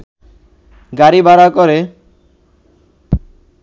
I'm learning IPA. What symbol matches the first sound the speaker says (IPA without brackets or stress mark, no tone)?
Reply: ɡ